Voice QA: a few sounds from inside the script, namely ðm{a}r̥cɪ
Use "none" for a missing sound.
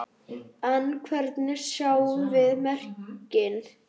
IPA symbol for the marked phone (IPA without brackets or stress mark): ɛ